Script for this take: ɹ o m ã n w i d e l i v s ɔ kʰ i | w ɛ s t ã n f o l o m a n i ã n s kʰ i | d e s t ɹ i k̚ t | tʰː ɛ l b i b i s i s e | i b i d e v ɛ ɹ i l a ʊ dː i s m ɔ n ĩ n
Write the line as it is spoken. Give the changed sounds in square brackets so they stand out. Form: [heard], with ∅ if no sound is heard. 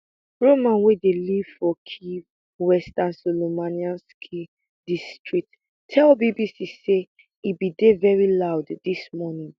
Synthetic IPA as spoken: ɹ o m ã n w [e] d e l i v [f] ɔ kʰ i | w ɛ s t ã n [s] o l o m a n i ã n s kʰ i | d [i] s t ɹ i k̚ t | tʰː ɛ l b i b i s i s e | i b i d e v ɛ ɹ i l a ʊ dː i s m ɔ n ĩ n